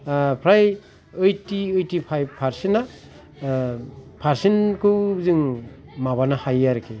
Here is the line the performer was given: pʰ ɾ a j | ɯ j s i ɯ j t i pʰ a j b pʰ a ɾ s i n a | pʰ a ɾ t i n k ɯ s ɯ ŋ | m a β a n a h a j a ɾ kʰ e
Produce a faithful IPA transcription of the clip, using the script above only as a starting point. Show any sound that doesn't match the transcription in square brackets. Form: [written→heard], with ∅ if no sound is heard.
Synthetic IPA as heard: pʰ ɾ a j | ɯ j [s→t] i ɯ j t i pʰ a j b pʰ a ɾ s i n a | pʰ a ɾ [t→s] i n k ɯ [s→z] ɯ ŋ | m a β a n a h a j a ɾ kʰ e